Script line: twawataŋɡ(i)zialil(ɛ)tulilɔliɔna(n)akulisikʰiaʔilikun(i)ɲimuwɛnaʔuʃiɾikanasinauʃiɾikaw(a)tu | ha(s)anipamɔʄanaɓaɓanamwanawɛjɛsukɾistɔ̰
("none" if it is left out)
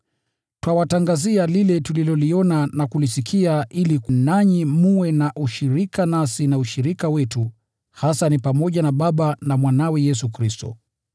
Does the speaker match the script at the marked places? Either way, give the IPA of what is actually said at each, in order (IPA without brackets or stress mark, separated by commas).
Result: a, ɛ, n, a, ɛ, s